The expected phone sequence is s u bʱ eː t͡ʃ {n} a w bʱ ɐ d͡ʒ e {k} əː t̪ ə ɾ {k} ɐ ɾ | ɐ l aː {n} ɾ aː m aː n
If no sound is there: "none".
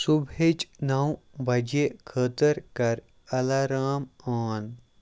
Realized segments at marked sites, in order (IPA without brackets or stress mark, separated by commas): n, kʰ, k, none